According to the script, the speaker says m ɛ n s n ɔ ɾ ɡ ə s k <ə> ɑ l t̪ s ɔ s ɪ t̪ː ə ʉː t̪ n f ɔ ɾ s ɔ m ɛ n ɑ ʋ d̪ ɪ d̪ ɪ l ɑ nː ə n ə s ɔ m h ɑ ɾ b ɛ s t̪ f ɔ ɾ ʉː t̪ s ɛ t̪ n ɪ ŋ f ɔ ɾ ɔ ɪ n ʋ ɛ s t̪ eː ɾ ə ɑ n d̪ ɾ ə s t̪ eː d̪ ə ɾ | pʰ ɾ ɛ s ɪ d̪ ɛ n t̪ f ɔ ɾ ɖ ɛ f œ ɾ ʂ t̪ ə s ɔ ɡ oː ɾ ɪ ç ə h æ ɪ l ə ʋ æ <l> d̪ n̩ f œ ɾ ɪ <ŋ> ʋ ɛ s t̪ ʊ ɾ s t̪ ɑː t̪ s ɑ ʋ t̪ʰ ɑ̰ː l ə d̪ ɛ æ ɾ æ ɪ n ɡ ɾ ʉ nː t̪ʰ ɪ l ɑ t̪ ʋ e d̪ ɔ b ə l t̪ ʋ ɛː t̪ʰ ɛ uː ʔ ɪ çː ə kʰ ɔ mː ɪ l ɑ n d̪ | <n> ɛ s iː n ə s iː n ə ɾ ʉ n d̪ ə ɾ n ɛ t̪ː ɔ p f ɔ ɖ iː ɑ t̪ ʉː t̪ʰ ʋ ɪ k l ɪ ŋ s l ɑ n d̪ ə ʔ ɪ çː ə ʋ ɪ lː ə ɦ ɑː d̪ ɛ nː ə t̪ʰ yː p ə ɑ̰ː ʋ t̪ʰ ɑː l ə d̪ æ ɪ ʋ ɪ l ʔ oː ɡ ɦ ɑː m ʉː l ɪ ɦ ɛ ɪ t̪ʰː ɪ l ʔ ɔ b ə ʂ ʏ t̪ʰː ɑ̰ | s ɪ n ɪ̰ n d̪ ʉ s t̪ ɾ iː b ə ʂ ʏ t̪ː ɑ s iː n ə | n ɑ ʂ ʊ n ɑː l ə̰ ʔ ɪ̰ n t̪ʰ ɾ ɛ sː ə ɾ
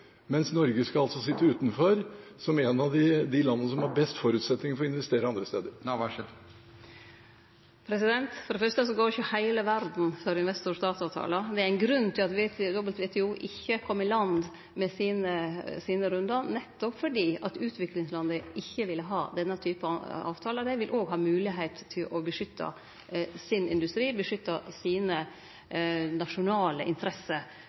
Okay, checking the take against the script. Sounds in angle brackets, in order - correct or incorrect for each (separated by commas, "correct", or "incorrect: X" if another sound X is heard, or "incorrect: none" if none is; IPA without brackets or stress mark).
incorrect: ɑ, incorrect: ɾ, incorrect: n, incorrect: m